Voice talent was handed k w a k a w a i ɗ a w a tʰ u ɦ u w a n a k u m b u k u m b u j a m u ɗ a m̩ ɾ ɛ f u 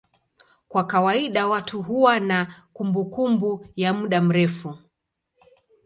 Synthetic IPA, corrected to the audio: k w a k a w a i ɗ a w a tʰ u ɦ u w a n a k u m b u k u m b u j a m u ɗ a m̩ ɾ ɛ f u